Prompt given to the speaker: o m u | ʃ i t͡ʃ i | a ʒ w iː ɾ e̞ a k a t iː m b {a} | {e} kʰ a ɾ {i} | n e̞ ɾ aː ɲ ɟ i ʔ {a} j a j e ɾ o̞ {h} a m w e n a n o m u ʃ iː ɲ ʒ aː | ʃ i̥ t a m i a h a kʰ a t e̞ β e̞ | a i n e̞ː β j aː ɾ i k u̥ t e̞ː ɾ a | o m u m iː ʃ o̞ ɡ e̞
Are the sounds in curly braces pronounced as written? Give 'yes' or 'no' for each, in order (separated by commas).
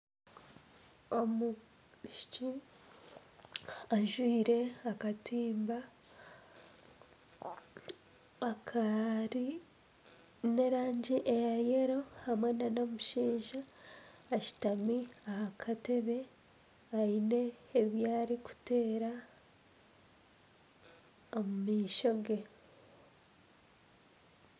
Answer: yes, no, yes, no, yes